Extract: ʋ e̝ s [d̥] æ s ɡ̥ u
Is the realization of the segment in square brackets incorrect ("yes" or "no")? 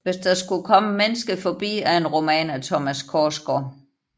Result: no